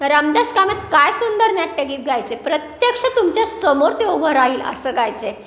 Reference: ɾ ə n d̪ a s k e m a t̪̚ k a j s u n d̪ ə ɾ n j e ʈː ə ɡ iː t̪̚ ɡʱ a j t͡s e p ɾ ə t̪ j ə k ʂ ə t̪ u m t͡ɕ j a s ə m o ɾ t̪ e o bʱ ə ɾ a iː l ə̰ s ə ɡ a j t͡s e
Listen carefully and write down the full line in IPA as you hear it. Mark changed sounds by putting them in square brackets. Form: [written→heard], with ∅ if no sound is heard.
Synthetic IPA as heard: ɾ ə [n→m] d̪ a s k [e→a] m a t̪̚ k a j s u n d̪ ə ɾ n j [e→a] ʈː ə ɡ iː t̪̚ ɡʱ a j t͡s e p ɾ ə t̪ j ə k ʂ ə t̪ u m t͡ɕ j a s ə m o ɾ t̪ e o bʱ ə ɾ a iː l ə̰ s ə ɡ a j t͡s e